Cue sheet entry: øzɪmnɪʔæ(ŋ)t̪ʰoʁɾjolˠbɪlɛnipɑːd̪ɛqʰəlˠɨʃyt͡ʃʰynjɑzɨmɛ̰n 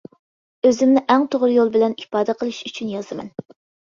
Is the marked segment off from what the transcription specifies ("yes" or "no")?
no